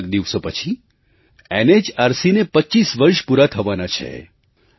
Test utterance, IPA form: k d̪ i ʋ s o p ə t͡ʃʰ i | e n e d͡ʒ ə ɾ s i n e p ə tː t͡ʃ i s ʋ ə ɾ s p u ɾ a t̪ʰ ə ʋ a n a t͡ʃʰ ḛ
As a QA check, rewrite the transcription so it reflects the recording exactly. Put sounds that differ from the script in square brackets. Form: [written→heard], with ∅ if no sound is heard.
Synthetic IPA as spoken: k d̪ i ʋ s o p ə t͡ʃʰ i | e n e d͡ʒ [ə→a] ɾ s i n e p ə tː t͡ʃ i s ʋ ə ɾ [s→ʃ] p u ɾ a t̪ʰ ə ʋ a n a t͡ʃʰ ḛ